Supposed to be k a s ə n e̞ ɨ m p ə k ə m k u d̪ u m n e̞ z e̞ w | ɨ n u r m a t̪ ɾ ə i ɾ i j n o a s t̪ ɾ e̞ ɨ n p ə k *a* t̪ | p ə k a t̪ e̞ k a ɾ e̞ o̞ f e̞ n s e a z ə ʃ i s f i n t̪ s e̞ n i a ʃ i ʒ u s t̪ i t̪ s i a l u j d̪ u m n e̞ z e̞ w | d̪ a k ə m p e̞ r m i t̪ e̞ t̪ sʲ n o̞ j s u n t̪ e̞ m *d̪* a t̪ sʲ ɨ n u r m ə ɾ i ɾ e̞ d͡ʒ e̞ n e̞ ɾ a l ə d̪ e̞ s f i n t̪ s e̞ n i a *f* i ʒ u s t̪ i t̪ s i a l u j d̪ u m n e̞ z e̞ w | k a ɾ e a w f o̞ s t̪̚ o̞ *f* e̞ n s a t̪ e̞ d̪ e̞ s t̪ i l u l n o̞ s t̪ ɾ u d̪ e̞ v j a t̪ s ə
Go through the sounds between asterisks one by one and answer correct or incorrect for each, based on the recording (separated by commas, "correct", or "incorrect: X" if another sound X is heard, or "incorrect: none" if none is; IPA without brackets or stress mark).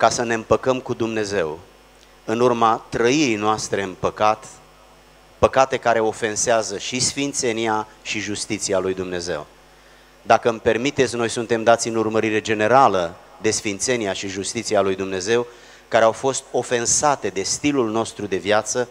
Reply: correct, correct, incorrect: ʃ, correct